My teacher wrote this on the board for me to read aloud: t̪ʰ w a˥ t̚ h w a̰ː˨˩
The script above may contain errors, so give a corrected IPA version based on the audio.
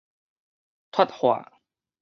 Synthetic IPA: t̪ʰ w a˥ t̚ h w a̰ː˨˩